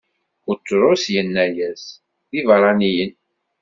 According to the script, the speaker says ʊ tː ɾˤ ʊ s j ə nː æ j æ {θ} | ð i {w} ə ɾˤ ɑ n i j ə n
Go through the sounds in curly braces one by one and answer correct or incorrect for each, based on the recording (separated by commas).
incorrect, incorrect